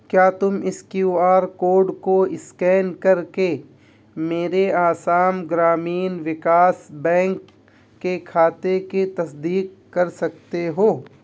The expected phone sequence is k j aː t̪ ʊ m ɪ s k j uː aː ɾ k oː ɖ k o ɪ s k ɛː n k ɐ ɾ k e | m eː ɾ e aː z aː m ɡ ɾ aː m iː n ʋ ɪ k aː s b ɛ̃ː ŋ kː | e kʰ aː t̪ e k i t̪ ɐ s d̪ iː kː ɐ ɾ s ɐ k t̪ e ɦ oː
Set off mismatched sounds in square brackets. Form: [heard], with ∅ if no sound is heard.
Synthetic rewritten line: k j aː t̪ ʊ m ɪ s k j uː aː ɾ k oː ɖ k o ɪ s k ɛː n k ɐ ɾ k e | m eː ɾ e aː [s] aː m ɡ ɾ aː m iː n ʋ ɪ k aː s b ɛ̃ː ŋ kː | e kʰ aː t̪ e k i t̪ ɐ s d̪ iː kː ɐ ɾ s ɐ k t̪ e ɦ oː